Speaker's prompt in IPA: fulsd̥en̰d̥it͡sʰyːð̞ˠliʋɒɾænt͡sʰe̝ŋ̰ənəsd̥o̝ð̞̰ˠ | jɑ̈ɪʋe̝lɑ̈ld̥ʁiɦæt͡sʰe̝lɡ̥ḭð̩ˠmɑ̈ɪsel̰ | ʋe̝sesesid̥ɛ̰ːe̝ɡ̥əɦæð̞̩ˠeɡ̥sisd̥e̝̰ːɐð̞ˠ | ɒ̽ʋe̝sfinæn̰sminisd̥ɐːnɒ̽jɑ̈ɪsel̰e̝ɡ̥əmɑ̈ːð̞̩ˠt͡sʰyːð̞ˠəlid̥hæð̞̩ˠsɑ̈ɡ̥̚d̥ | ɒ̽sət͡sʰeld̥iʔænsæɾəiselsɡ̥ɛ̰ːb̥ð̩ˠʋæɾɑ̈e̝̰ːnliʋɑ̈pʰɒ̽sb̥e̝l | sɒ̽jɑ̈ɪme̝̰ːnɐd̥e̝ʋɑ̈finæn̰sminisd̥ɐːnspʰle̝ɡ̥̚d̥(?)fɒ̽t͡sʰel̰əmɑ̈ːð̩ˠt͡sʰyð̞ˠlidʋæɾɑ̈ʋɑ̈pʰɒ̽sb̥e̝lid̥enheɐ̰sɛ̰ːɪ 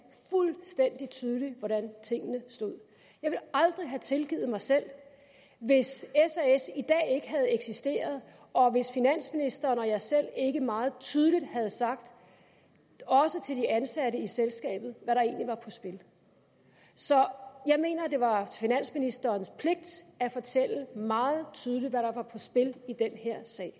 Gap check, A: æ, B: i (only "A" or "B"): A